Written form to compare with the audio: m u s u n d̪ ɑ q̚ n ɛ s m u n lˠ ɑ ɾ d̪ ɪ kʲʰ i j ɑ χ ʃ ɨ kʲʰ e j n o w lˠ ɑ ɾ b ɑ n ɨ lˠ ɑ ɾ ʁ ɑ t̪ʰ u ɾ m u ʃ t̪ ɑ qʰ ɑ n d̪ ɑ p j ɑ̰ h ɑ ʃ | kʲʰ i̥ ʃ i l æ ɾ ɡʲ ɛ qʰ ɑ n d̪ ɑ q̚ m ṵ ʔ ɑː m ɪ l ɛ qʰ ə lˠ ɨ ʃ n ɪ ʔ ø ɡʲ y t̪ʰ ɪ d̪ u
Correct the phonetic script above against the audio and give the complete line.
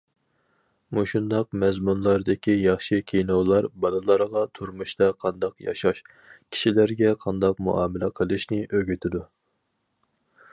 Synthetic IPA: m u ʃ u n d̪ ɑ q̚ m ɛ z m u n lˠ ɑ ɾ d̪ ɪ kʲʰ i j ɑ χ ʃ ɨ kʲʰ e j n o w lˠ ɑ ɾ b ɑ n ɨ lˠ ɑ ɾ ʁ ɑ t̪ʰ u ɾ m u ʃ t̪ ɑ qʰ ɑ n d̪ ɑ q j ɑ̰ ʃ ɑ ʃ | kʲʰ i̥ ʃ i l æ ɾ ɡʲ ɛ qʰ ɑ n d̪ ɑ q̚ m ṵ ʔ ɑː m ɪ l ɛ qʰ ə lˠ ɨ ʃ n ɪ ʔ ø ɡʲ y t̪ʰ ɪ d̪ u